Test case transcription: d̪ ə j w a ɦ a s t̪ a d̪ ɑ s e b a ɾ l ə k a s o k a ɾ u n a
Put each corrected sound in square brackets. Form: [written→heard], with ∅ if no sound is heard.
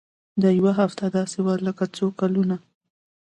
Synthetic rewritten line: d̪ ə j w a ɦ a [s→f] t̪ a d̪ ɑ s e [b→w] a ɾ l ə k a [s→t͡s] o k a [ɾ→l] u n a